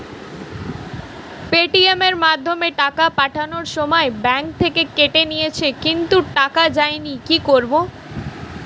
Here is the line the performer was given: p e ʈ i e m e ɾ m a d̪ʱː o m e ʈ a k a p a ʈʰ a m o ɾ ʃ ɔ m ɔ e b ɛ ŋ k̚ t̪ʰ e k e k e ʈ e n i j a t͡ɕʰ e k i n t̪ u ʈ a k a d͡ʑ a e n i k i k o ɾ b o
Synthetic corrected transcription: p e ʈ i e m e ɾ m a d̪ʱː o m e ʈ a k a p a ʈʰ a n o ɾ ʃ ɔ m ɔ e b ɛ ŋ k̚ t̪ʰ e k e k e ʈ e n i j e t͡ɕʰ e k i n t̪ u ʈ a k a d͡ʑ a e n i k i k o ɾ b o